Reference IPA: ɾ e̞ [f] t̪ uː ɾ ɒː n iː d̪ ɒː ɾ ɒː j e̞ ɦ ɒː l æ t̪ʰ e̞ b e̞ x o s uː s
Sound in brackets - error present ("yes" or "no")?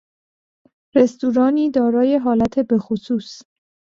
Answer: yes